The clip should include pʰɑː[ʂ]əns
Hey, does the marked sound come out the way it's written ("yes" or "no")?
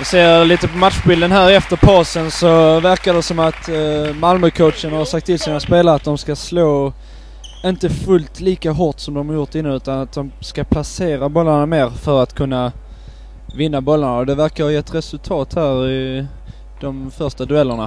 no